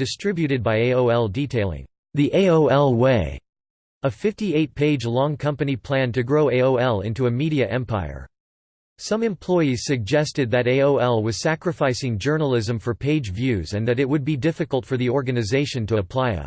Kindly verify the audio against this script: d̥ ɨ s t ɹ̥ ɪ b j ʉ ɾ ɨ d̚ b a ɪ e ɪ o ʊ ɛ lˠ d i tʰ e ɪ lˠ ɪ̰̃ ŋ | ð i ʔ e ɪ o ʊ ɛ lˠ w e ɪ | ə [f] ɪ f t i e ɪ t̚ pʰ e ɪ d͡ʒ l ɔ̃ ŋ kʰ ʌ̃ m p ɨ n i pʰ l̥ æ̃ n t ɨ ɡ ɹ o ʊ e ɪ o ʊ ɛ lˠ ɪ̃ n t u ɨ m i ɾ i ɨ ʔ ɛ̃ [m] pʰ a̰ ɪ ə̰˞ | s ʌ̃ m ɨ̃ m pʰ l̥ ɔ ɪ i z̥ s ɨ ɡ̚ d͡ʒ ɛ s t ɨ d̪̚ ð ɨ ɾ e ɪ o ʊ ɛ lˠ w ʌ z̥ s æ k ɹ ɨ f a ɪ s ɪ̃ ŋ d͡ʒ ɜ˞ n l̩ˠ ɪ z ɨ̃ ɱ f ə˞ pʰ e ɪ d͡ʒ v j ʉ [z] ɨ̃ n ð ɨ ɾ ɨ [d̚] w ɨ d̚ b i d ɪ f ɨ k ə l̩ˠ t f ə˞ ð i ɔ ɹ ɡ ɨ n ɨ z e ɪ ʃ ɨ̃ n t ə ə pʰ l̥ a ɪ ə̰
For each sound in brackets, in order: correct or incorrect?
correct, correct, correct, incorrect

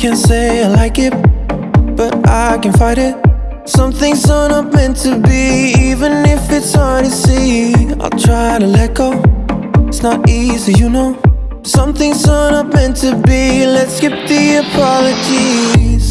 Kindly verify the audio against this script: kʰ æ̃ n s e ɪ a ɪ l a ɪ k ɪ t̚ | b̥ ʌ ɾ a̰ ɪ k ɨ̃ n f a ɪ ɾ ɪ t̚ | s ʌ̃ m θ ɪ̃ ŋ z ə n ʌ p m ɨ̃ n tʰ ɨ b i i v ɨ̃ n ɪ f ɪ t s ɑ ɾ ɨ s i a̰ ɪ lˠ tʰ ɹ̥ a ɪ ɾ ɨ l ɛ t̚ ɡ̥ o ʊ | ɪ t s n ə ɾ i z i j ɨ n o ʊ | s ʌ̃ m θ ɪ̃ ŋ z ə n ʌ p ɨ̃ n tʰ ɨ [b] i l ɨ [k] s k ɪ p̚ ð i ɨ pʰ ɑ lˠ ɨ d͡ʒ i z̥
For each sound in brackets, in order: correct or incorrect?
correct, incorrect

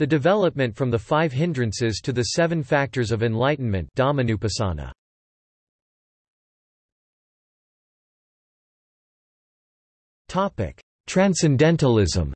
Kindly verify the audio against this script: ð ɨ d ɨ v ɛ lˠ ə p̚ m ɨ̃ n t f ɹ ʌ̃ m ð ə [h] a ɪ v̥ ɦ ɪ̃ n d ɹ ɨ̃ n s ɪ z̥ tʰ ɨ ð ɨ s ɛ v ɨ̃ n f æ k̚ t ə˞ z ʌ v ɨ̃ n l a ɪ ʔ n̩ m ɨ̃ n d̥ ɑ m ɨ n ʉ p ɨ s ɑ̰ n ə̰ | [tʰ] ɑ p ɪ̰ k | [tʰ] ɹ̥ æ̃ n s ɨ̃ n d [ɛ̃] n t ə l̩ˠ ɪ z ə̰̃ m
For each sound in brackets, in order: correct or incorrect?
incorrect, correct, correct, correct

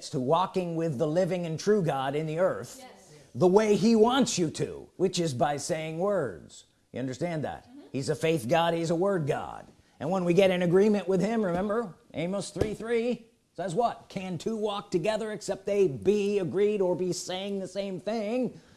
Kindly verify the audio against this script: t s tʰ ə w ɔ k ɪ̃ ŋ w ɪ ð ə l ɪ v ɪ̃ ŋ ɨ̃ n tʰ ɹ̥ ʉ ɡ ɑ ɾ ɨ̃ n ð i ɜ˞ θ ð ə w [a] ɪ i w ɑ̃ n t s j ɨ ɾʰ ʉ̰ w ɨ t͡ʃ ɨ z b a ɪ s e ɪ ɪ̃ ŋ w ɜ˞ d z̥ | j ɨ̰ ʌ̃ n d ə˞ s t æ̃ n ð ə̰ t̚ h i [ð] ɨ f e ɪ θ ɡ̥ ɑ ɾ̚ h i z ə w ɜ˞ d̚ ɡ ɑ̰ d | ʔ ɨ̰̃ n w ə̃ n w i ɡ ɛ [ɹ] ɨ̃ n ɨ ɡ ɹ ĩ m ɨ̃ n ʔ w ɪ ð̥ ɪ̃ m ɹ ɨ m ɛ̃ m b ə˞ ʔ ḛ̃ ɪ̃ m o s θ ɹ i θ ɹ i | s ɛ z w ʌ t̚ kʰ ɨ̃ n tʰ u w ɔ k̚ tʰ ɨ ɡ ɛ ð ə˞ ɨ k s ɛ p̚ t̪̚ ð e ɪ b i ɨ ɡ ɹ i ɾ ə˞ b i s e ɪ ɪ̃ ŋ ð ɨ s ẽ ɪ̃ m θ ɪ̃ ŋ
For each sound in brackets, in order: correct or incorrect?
incorrect, incorrect, incorrect

